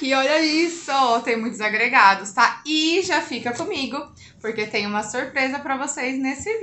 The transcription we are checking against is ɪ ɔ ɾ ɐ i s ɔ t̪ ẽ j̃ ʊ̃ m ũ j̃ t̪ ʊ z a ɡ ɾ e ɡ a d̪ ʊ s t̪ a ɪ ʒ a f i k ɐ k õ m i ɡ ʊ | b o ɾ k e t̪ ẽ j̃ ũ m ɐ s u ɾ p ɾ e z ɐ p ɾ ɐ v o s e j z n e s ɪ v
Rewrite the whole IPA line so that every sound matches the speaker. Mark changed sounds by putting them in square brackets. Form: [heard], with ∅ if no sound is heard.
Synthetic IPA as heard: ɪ ɔ [ʎ] ɐ i s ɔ t̪ ẽ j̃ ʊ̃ m ũ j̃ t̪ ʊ z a ɡ ɾ e ɡ a d̪ ʊ s t̪ a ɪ ʒ a f i k ɐ k õ m i ɡ ʊ | [p] o ɾ k e t̪ ẽ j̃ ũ m ɐ s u ɾ p ɾ e z ɐ p ɾ ɐ v o s e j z n e s ɪ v